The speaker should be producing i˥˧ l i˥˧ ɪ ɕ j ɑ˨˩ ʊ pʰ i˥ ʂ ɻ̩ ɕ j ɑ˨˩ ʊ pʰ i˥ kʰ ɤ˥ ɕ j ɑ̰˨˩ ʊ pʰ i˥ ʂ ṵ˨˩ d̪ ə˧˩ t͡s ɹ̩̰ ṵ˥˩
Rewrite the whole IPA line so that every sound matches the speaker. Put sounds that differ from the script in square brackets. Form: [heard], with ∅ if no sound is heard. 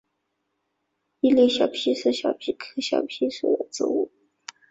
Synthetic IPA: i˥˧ l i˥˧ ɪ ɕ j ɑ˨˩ ʊ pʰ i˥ ʂ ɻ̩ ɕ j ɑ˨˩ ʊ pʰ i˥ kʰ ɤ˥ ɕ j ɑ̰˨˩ ʊ pʰ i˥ ʂ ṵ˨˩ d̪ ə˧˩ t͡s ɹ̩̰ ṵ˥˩